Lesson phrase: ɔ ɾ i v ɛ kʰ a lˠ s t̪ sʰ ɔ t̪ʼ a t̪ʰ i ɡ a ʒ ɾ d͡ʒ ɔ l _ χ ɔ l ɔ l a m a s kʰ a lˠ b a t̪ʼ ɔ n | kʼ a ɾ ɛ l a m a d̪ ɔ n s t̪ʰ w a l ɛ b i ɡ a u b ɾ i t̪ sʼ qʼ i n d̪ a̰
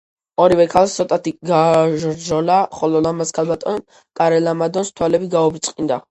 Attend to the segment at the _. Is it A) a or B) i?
A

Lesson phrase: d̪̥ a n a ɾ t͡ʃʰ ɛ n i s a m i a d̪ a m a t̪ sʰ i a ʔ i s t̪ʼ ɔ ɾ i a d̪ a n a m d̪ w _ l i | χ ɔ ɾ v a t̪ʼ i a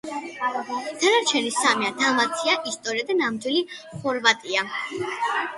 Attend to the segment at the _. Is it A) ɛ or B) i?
B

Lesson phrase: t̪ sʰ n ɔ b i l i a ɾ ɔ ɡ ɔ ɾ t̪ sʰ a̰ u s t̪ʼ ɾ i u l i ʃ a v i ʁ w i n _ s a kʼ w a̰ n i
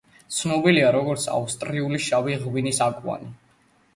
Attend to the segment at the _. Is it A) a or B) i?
B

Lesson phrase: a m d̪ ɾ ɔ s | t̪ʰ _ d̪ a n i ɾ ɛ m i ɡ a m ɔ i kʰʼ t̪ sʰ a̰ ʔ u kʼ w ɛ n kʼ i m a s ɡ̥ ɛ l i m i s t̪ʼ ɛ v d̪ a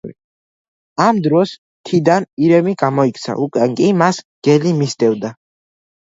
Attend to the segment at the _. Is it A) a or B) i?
B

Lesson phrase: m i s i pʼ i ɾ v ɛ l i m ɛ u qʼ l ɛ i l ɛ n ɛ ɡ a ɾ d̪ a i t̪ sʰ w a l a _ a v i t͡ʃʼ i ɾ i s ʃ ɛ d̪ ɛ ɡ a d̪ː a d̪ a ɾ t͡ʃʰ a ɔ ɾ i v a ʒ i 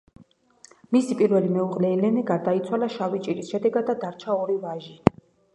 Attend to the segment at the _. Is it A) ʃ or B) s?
A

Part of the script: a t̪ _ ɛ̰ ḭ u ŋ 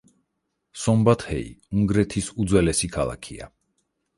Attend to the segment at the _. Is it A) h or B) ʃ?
A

